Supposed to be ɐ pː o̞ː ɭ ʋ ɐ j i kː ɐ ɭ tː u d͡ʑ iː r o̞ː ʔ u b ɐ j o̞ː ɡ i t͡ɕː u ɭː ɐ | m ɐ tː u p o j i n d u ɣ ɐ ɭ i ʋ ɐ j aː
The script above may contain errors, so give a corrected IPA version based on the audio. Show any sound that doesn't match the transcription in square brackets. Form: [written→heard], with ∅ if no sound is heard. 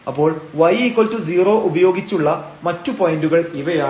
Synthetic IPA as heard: ɐ pː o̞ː ɭ ʋ ɐ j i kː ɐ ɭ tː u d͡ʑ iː r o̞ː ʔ u b ɐ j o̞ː ɡ i t͡ɕː u ɭː ɐ | m ɐ tː u p o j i n d u ɣ ɐ ɭ i ʋ ɐ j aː